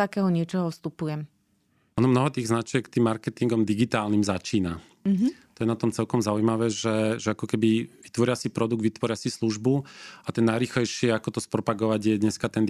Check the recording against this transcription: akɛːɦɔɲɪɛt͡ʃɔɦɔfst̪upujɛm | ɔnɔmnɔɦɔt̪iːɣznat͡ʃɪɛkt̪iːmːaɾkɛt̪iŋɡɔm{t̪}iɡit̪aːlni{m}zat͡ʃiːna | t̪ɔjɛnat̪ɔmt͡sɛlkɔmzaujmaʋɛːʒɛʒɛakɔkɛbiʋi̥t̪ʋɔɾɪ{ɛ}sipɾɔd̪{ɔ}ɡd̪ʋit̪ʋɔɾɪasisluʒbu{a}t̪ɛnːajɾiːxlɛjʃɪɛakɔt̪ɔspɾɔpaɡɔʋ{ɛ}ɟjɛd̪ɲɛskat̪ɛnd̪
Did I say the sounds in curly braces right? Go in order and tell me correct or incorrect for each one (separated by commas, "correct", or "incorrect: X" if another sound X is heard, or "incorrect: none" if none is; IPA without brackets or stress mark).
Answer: incorrect: d̪, correct, incorrect: a, incorrect: u, correct, incorrect: a